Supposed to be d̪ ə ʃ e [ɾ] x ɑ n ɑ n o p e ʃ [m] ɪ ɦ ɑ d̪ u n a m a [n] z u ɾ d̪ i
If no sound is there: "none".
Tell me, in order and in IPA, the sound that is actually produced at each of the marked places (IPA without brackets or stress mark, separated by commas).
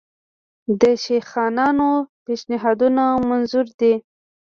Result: none, n, n